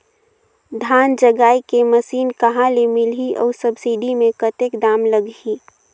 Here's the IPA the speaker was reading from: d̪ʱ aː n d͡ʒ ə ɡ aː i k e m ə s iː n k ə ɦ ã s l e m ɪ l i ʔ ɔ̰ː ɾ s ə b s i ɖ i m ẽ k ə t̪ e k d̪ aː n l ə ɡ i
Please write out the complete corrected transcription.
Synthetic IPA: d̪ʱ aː n d͡ʒ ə ɡ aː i k e m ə s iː n k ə ɦ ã l e m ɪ l i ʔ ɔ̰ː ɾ s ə b s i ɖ i m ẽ k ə t̪ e k d̪ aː m l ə ɡ i